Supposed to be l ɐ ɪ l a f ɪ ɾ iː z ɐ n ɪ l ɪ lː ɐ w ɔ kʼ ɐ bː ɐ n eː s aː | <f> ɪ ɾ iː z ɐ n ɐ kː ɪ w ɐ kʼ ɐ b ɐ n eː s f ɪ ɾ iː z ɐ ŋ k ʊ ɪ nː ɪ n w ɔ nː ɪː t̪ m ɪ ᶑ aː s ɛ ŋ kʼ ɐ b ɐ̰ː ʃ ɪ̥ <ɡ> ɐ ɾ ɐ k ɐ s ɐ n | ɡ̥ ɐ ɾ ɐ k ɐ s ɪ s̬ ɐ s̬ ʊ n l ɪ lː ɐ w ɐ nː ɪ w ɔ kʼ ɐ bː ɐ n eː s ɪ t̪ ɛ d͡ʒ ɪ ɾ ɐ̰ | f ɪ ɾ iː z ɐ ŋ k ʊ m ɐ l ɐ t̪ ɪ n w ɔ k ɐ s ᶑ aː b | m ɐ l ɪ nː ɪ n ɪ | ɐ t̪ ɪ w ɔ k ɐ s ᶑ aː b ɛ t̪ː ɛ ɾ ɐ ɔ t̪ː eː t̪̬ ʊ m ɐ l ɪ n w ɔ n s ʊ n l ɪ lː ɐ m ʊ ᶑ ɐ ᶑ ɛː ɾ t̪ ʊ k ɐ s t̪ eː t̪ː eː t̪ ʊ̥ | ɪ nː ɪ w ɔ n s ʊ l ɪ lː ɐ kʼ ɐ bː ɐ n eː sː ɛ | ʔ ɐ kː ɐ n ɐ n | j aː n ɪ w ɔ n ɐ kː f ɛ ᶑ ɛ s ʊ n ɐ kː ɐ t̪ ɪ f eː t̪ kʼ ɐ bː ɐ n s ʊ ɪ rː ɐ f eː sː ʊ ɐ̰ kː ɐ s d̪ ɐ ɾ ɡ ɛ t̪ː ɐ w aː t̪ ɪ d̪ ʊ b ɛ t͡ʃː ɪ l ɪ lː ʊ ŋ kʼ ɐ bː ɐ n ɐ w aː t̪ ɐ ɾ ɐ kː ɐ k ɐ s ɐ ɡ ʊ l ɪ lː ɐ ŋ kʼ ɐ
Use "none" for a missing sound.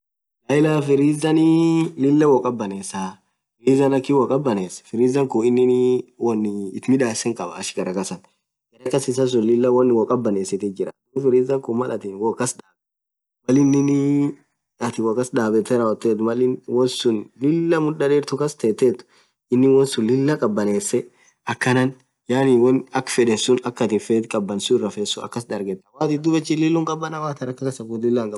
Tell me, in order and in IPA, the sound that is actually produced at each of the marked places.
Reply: f, ɡ

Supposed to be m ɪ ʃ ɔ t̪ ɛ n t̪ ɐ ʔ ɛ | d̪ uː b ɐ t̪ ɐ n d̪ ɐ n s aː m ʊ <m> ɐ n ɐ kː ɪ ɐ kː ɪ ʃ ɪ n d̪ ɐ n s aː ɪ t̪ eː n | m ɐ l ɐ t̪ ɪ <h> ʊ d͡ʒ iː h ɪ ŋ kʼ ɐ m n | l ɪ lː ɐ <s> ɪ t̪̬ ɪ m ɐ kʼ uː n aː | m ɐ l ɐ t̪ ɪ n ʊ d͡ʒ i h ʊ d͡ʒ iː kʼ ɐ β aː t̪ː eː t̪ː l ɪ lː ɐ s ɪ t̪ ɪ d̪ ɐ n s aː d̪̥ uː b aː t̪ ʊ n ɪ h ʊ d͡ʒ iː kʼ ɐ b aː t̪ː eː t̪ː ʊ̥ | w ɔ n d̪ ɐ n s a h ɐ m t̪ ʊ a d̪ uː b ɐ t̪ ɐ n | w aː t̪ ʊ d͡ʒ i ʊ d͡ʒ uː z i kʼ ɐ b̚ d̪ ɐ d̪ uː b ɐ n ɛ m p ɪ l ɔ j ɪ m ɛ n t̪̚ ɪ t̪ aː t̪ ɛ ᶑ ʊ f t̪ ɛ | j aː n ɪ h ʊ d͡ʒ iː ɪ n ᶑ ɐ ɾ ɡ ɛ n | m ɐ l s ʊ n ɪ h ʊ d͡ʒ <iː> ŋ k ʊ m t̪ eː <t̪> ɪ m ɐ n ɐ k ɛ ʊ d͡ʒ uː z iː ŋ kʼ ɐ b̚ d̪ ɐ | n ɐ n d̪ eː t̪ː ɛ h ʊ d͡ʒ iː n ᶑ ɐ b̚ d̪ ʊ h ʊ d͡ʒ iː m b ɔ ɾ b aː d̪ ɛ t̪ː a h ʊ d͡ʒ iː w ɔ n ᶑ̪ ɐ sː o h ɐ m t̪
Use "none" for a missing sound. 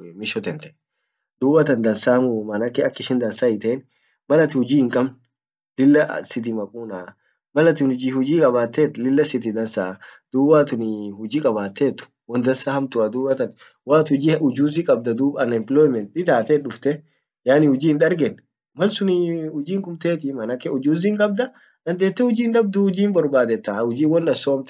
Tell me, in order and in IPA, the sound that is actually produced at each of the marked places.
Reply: m, h, s, iː, t̪

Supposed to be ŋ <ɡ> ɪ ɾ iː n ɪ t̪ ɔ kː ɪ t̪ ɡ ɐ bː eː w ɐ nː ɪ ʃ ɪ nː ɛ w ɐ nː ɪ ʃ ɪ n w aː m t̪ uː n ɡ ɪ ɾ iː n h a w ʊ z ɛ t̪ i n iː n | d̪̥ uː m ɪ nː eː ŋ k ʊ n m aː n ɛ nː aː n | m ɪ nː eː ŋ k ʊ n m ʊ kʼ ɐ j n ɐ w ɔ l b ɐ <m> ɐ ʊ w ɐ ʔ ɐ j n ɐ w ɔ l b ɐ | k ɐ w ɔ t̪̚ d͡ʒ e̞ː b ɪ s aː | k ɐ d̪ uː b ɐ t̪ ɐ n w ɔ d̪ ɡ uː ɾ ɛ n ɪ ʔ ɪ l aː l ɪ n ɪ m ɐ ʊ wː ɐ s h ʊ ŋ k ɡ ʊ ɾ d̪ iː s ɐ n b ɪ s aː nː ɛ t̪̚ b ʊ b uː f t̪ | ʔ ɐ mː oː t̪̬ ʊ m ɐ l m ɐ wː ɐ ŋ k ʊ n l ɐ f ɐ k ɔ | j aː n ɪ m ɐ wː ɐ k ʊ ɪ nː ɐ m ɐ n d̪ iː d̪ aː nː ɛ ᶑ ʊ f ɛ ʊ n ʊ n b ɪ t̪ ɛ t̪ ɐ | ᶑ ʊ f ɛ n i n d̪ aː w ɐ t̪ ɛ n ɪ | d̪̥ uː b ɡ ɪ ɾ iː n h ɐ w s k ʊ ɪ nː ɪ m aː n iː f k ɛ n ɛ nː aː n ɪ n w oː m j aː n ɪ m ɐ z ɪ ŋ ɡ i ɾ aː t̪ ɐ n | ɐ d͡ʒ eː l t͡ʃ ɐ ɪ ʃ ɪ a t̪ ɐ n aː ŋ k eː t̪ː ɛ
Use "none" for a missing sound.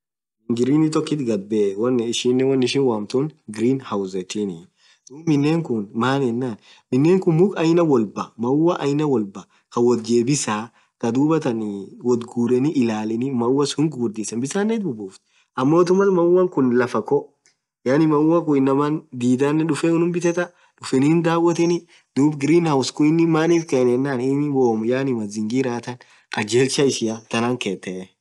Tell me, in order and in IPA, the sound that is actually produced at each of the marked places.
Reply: ɡ, m

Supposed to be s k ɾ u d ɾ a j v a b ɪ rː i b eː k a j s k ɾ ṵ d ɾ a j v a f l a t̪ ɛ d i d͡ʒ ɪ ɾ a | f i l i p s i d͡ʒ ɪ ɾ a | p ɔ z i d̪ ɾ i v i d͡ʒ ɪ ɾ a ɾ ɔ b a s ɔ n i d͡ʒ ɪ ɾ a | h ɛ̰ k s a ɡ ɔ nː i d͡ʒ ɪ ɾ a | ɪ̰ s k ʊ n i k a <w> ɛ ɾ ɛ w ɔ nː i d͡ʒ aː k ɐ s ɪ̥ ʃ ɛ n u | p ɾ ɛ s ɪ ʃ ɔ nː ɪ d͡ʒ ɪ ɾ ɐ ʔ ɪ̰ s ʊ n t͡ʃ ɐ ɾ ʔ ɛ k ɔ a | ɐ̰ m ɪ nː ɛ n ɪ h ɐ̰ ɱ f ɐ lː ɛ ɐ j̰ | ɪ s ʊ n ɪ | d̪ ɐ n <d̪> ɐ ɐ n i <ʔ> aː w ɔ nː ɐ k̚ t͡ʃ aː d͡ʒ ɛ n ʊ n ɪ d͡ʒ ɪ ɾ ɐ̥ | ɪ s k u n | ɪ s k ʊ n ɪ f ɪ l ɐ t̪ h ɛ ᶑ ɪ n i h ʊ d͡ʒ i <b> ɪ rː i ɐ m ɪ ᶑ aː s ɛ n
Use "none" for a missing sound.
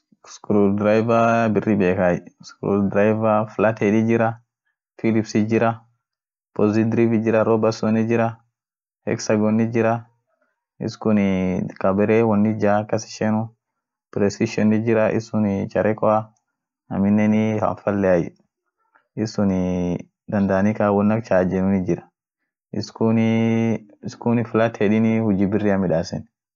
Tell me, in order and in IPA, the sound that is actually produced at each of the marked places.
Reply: b, d̪, k, b

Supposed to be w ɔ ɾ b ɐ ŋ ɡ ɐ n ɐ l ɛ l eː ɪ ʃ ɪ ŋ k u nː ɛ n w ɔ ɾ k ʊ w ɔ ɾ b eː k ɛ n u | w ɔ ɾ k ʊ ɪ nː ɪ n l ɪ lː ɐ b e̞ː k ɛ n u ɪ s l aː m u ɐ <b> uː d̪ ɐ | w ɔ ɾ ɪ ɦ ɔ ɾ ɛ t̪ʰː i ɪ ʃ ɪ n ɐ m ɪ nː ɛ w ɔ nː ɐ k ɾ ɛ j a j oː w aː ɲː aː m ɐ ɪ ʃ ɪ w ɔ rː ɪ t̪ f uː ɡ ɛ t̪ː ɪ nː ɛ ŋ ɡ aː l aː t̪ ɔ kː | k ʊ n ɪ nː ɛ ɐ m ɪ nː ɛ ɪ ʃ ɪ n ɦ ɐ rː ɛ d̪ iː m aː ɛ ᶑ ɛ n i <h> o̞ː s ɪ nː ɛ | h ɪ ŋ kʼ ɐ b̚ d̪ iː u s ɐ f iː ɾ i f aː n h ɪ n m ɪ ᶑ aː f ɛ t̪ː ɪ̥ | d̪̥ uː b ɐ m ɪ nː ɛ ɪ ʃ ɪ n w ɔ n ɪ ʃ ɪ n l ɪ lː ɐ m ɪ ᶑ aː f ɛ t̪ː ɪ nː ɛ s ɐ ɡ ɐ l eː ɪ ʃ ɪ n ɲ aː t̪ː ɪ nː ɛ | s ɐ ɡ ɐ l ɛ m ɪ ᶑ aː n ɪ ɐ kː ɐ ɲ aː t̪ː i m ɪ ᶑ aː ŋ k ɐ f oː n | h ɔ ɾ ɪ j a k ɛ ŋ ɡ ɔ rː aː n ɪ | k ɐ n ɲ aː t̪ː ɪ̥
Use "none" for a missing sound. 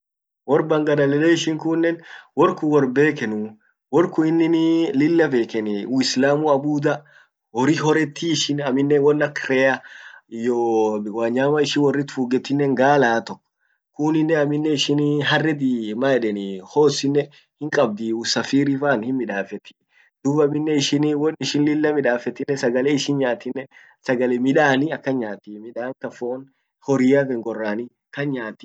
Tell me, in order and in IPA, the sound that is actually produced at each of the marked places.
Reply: b, h

